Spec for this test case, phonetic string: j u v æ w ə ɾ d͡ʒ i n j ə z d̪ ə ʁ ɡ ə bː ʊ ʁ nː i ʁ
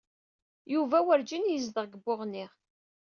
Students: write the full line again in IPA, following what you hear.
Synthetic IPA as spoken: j u v æ w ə ɾ d͡ʒ i n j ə z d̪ ə ʁ ɡ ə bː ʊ ʁ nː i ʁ